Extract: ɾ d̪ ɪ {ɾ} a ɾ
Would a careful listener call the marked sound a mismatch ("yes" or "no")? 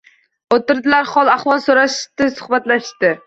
yes